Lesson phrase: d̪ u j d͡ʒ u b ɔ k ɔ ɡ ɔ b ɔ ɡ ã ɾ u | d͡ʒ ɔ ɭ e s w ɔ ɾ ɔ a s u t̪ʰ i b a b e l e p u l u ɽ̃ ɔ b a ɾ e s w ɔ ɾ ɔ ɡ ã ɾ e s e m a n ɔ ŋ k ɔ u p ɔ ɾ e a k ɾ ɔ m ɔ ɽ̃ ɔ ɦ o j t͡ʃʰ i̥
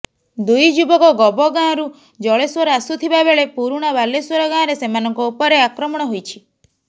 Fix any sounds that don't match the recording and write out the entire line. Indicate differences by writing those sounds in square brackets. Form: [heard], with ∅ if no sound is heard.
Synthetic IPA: d̪ u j d͡ʒ u b ɔ k ɔ ɡ ɔ b ɔ ɡ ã ɾ u | d͡ʒ ɔ ɭ e s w ɔ ɾ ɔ a s u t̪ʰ i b a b e [ɭ] e p u [ɾ] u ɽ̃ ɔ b a [l] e s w ɔ ɾ ɔ ɡ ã ɾ e s e m a n ɔ ŋ k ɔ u p ɔ ɾ e a k ɾ ɔ m ɔ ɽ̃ ɔ ɦ o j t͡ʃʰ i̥

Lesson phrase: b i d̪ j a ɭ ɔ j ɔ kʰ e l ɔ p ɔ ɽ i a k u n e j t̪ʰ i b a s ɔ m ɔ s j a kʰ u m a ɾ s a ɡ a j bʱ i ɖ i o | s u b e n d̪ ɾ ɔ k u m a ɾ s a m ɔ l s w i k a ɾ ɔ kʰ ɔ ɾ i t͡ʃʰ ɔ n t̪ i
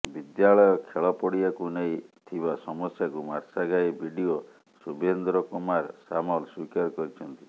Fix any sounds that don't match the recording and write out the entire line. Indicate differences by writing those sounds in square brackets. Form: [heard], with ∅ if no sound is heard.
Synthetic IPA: b i d̪ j a ɭ ɔ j ɔ kʰ e [ɭ] ɔ p ɔ ɽ i a k u n e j t̪ʰ i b a s ɔ m ɔ s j a [k] u m a ɾ s a ɡ a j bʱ i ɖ i o | s u b e n d̪ ɾ ɔ k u m a ɾ s a m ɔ l s w i k a ɾ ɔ [k] ɔ ɾ i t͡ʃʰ ɔ n t̪ i

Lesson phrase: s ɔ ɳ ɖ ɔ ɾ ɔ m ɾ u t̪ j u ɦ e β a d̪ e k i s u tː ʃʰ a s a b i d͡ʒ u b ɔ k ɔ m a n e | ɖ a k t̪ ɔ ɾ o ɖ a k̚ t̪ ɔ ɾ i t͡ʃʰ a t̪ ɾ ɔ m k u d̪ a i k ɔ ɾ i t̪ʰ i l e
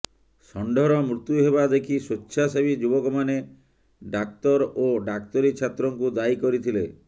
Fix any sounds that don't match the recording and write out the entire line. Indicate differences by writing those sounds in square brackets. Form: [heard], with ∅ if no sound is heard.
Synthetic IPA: s ɔ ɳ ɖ ɔ ɾ ɔ m ɾ u t̪ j u ɦ e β a d̪ e [kʰ] i s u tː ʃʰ a s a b i d͡ʒ u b ɔ k ɔ m a n e | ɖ a k t̪ ɔ ɾ o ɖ a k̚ t̪ ɔ ɾ i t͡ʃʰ a t̪ ɾ ɔ [ŋ] k u d̪ a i k ɔ ɾ i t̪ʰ i l e

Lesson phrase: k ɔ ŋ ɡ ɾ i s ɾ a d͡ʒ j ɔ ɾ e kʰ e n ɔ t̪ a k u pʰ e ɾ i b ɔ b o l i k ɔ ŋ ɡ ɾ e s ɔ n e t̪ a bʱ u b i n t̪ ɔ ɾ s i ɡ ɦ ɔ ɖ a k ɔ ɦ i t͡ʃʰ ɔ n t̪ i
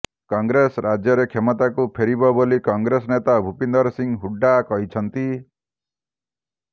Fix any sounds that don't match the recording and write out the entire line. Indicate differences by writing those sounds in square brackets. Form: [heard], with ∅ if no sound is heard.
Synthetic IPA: k ɔ ŋ ɡ ɾ [e] s ɾ a d͡ʒ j ɔ ɾ e kʰ e [m] ɔ t̪ a k u pʰ e ɾ i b ɔ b o l i k ɔ ŋ ɡ ɾ e s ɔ n e t̪ a bʱ u [p] i n [d̪] ɔ ɾ s i [ŋ] ɦ [u] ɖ a k ɔ ɦ i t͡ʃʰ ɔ n t̪ i

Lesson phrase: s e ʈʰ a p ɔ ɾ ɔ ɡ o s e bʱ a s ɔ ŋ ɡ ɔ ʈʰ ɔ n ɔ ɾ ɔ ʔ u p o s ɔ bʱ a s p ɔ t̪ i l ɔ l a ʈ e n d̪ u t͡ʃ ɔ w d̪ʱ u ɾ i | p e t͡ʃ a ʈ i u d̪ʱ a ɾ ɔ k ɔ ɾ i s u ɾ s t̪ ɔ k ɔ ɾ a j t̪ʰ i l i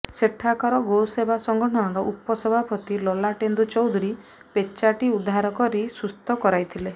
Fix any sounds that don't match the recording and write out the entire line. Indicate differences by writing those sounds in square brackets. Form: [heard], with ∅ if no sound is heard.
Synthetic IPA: s e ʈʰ a [k] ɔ ɾ ɔ ɡ o s e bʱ a s ɔ ŋ ɡ ɔ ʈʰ ɔ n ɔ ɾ ɔ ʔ u p [ɔ] s ɔ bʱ a [∅] p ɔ t̪ i l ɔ l a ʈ e n d̪ u t͡ʃ ɔ w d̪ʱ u ɾ i | p e t͡ʃ a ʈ i u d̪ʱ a ɾ ɔ k ɔ ɾ i s u [∅] s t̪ ɔ k ɔ ɾ a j t̪ʰ i l [e]

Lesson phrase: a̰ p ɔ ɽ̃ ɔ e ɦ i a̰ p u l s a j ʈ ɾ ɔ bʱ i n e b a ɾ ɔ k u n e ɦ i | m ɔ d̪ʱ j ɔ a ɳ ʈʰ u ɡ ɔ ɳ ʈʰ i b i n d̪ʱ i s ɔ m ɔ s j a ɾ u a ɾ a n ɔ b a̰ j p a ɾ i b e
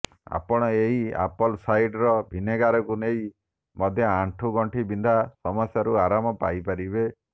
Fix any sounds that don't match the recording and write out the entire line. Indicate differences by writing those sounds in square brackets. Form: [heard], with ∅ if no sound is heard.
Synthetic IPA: a̰ p ɔ ɽ̃ ɔ e ɦ i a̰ p [ɔ] l s a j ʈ ɾ ɔ bʱ i n e [ɡ] a ɾ ɔ k u n e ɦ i | m ɔ d̪ʱ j ɔ a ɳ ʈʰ u ɡ ɔ ɳ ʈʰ i b i n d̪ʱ [a] s ɔ m ɔ s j a ɾ u a ɾ a [m] ɔ [p] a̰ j p a ɾ i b e

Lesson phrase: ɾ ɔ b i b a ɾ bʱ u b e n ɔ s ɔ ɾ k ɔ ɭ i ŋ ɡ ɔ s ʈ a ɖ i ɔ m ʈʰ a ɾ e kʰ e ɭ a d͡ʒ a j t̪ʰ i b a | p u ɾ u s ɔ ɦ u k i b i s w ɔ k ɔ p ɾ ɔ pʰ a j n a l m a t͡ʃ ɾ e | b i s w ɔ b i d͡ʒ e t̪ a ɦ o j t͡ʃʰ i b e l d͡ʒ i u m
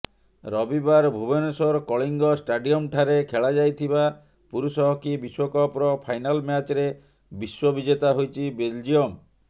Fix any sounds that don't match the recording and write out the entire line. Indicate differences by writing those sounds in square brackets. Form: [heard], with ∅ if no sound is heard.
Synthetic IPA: ɾ ɔ b i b a ɾ bʱ u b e n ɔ s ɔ ɾ k ɔ ɭ i ŋ ɡ ɔ s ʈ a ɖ i ɔ m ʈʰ a ɾ e kʰ e ɭ a d͡ʒ a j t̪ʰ i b a | p u ɾ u s ɔ ɦ [ɔ] k i b i s w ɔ k ɔ p ɾ ɔ pʰ a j n a l m a t͡ʃ ɾ e | b i s w ɔ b i d͡ʒ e t̪ a ɦ o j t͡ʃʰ i b e l d͡ʒ i [ɔ] m

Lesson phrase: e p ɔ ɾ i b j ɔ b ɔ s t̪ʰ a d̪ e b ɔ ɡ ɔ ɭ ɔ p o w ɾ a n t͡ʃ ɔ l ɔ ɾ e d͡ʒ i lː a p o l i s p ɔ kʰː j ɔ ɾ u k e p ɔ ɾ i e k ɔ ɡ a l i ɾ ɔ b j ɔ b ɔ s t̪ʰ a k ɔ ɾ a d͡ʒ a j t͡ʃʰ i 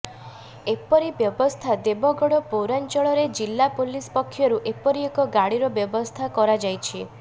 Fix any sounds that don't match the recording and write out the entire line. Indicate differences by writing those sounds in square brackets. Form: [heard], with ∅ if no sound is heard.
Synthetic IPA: e p ɔ ɾ i b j ɔ b ɔ s t̪ʰ a d̪ e b ɔ ɡ ɔ [ɽ] ɔ p o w ɾ a n t͡ʃ ɔ [ɭ] ɔ ɾ e d͡ʒ i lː a p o l i s p ɔ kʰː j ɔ ɾ u [ʔ] e p ɔ ɾ i e k ɔ ɡ a [ɽ] i ɾ ɔ b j ɔ b ɔ s t̪ʰ a k ɔ ɾ a d͡ʒ a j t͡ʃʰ i

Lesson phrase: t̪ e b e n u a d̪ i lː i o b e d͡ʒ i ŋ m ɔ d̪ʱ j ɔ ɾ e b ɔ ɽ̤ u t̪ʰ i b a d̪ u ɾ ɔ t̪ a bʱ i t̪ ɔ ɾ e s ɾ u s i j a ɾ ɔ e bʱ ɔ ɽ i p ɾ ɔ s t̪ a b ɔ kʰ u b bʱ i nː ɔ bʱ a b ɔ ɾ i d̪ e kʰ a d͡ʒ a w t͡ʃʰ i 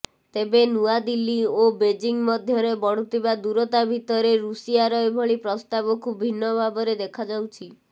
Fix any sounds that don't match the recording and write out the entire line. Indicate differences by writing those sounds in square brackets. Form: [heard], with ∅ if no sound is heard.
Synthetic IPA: t̪ e b e n u a d̪ i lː i o b e d͡ʒ i ŋ m ɔ d̪ʱ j ɔ ɾ e b ɔ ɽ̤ u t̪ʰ i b a d̪ u ɾ ɔ t̪ a bʱ i t̪ ɔ ɾ e [∅] ɾ u s i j a ɾ ɔ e bʱ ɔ [ɭ] i p ɾ ɔ s t̪ a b ɔ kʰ u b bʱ i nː ɔ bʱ a b ɔ ɾ [e] d̪ e kʰ a d͡ʒ a w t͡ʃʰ i

